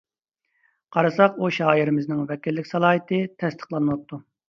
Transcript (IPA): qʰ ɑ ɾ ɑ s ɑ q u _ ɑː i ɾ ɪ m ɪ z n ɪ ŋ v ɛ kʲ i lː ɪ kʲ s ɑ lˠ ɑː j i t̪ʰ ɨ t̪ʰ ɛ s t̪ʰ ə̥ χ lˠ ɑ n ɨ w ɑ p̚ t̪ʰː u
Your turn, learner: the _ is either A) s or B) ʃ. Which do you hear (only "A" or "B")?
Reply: B